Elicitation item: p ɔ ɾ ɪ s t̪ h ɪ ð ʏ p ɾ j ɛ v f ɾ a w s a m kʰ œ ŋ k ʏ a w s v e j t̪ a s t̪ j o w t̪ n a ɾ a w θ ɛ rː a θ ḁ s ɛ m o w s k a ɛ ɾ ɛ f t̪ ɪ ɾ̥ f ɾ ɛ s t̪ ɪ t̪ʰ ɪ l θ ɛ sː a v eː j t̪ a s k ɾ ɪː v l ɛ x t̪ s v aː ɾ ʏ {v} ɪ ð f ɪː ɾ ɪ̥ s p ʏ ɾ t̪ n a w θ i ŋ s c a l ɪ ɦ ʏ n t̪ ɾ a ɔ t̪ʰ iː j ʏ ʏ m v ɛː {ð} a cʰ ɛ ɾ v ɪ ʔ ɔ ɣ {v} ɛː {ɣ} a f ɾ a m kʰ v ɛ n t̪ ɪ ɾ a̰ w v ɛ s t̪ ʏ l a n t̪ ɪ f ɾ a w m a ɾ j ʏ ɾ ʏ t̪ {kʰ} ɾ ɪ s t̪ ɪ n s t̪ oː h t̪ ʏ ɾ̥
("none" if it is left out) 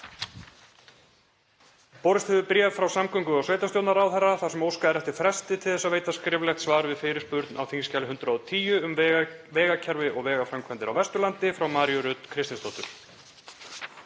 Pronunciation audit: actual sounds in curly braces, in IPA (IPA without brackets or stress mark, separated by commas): v, ɣ, v, ɣ, kʰ